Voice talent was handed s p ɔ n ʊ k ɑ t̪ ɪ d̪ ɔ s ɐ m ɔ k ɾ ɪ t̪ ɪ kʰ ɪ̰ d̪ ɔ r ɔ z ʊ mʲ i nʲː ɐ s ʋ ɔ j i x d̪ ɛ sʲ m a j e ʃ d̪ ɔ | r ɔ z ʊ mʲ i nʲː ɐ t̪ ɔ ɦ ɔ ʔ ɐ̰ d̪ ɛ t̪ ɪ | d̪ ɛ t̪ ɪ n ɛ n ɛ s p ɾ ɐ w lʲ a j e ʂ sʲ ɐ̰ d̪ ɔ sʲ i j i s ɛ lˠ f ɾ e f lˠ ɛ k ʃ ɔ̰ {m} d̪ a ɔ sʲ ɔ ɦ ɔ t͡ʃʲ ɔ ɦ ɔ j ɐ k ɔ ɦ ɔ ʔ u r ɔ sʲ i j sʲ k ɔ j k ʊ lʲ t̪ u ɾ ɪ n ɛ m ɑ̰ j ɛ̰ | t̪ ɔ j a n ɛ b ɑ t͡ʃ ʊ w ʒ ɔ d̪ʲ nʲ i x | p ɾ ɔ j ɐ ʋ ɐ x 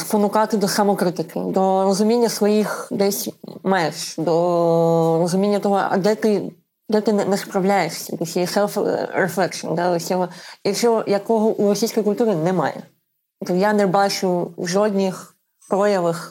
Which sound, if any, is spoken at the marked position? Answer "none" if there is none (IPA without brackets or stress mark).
n